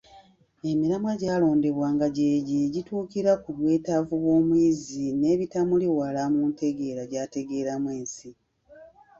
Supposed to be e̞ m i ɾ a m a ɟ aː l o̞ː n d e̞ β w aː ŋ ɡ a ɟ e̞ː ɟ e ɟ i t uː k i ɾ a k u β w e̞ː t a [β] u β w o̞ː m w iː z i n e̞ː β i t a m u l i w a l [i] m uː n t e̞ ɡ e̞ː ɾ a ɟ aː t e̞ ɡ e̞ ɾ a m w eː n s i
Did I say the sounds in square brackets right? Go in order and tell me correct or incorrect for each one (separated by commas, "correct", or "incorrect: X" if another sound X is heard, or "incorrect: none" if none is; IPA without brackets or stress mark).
incorrect: v, incorrect: a